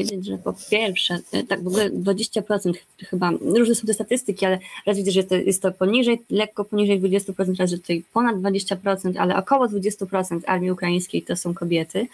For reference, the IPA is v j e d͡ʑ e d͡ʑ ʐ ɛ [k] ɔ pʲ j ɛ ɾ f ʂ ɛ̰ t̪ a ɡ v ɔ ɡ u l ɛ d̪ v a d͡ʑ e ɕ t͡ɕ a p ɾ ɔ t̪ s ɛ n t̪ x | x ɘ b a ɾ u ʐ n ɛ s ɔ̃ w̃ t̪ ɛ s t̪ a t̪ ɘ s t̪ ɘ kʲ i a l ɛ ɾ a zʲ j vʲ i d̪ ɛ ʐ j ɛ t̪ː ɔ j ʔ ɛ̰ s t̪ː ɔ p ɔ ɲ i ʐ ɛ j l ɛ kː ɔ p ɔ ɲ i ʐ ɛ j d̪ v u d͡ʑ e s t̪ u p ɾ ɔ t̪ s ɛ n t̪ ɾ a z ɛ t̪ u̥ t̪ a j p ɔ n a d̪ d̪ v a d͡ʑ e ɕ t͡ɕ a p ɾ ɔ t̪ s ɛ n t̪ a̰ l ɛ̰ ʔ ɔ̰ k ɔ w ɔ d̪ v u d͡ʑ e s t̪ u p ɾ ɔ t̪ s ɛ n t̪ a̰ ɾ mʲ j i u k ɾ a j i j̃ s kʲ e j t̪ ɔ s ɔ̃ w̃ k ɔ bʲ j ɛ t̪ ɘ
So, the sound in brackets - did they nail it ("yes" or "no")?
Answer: no